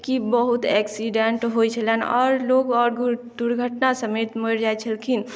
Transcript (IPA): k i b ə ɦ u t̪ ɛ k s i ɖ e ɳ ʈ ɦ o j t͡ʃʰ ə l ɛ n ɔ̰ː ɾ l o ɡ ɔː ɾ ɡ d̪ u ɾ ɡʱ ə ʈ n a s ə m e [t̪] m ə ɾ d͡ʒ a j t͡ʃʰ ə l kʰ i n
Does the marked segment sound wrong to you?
no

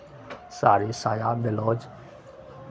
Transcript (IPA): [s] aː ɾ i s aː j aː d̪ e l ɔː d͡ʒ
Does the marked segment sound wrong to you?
no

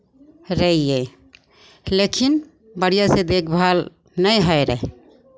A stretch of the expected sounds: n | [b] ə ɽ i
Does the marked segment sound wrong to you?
no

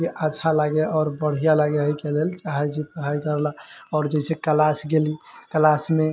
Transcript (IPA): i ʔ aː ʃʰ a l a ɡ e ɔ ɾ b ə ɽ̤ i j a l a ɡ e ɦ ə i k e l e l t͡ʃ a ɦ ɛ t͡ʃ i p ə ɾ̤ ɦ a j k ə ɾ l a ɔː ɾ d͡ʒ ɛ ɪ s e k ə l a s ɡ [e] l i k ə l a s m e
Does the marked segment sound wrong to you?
no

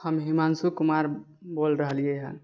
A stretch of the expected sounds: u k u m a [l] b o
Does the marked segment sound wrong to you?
yes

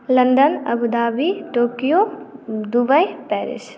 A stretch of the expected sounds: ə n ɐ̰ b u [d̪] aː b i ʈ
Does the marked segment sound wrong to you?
no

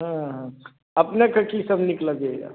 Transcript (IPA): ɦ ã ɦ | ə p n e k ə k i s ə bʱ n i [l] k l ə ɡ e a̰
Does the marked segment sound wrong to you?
yes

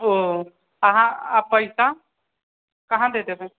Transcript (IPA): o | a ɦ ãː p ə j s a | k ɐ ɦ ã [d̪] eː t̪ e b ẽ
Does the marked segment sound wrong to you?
no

